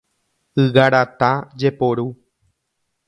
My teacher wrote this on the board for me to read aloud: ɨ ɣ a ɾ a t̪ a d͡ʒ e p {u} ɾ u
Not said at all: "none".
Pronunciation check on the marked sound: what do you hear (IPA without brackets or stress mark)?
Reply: o